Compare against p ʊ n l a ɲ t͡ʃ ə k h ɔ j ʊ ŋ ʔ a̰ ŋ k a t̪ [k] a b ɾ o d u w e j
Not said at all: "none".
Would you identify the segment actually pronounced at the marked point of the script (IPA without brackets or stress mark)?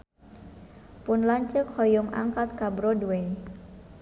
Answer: k